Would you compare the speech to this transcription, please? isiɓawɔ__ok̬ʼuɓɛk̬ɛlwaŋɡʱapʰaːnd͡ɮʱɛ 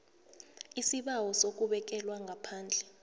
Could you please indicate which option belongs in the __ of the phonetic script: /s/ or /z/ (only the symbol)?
s